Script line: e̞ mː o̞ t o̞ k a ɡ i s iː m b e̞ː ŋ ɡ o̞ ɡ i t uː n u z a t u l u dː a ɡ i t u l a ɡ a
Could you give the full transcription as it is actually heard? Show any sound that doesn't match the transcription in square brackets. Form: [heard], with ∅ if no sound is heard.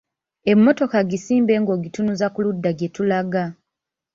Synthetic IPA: e̞ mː o̞ t o̞ k a ɡ i s iː m b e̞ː ŋ ɡ o̞ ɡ i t [u] n u z a [k] u l u dː a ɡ [e] t u l a ɡ a